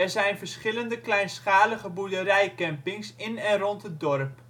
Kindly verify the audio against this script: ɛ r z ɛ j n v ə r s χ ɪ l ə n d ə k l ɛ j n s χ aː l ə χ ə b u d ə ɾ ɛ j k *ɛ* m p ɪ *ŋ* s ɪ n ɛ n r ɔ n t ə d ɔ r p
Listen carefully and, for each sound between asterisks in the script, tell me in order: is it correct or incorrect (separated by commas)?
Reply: correct, correct